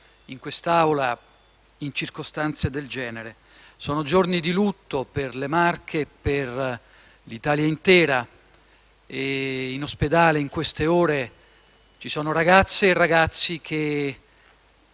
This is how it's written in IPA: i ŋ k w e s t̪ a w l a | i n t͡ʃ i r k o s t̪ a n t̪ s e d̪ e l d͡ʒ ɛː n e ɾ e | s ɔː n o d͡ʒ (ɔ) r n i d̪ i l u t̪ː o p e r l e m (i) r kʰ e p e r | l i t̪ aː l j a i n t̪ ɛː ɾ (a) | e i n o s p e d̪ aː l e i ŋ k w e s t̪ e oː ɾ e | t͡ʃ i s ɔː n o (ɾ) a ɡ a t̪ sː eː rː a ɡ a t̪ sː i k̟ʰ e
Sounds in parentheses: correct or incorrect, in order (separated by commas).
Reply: incorrect, incorrect, correct, correct